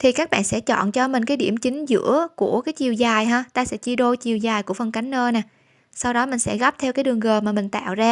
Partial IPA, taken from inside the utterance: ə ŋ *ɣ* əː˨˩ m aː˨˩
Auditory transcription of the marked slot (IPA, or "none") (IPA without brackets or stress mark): ɣ